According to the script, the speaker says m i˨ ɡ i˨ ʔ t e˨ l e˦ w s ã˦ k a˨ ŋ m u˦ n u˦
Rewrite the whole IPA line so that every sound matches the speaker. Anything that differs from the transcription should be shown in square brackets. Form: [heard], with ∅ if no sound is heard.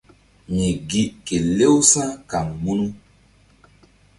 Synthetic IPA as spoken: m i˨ ɡ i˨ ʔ [k] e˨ l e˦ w s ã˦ k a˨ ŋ m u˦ n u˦